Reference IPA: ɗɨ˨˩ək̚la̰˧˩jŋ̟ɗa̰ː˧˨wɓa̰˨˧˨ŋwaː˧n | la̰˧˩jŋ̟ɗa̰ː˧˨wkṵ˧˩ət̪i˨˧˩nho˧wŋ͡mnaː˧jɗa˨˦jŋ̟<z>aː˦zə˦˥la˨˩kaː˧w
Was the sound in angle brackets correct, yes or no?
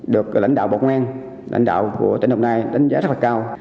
yes